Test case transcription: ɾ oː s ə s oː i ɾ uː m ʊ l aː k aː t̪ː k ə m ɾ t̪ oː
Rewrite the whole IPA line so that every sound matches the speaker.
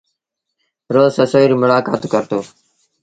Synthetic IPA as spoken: ɾ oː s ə s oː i ɾ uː m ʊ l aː k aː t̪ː k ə ɾ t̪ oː